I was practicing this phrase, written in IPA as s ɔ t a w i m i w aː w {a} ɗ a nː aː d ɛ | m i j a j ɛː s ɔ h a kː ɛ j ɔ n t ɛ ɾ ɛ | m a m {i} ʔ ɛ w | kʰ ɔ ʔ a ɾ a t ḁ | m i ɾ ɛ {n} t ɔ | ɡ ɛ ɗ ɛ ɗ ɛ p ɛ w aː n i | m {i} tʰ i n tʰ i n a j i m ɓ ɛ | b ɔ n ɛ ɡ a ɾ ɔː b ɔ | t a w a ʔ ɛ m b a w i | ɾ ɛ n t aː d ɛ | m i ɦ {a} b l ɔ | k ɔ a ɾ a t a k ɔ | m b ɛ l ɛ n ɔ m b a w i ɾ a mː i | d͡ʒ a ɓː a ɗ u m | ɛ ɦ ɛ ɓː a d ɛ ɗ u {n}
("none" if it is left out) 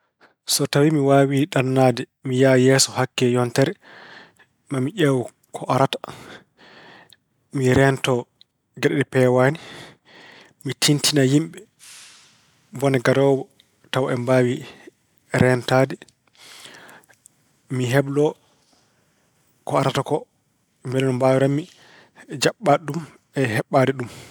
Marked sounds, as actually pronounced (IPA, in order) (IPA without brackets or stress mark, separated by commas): i, i, n, i, ɛ, m